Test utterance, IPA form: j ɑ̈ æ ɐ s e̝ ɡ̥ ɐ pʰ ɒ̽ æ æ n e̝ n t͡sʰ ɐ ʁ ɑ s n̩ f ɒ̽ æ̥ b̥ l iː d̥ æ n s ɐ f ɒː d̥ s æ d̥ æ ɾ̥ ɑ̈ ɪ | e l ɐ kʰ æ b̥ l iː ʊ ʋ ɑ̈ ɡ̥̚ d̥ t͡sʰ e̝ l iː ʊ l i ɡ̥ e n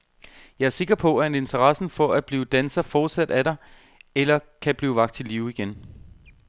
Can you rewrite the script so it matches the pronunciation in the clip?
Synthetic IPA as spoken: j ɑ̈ æ ɐ s e̝ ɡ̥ ɐ pʰ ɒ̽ æ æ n e̝ n t͡sʰ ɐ ʁ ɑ s n̩ f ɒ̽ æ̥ b̥ l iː d̥ æ n s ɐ f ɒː d̥ s æ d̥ æ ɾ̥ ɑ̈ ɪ | e l ɐ kʰ æ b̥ l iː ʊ ʋ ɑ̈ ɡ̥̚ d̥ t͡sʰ e̝ l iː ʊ i ɡ̥ e n